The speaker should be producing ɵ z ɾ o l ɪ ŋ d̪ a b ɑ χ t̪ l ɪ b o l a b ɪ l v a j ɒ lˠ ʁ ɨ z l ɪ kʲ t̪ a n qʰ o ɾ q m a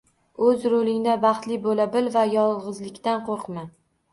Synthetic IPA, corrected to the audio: ɵ z ɾ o l ɪ ŋ d̪ a b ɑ χ t̪ l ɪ b o l a b ɪ l v a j ɒ lˠ ʁ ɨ z l ɪ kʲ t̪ a n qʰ o ɾ q m a